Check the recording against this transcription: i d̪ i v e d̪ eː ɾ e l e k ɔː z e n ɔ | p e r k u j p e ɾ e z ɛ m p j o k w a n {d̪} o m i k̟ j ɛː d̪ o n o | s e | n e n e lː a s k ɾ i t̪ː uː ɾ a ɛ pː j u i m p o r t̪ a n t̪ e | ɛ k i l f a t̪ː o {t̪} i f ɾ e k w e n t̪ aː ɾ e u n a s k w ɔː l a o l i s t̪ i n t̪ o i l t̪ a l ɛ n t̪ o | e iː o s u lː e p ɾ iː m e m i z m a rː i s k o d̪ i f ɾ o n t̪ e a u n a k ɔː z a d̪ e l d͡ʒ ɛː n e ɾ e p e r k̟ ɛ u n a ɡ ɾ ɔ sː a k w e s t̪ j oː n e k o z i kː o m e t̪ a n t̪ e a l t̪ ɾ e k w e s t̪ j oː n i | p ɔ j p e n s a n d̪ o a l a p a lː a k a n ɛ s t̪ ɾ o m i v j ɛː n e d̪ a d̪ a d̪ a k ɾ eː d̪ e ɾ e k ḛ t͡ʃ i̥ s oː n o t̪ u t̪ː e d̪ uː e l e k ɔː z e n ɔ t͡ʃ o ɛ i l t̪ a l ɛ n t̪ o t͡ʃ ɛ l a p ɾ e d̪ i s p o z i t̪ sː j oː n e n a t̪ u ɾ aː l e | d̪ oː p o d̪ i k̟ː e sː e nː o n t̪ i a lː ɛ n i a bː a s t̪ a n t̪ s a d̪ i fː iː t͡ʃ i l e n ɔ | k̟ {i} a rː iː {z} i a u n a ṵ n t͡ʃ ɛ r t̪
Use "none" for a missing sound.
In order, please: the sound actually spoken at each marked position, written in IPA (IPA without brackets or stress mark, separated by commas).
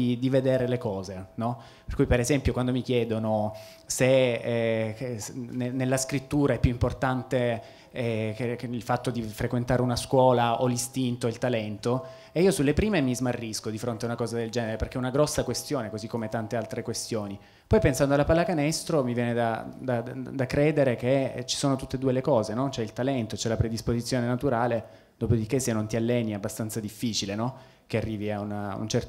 d̪, d̪, e, v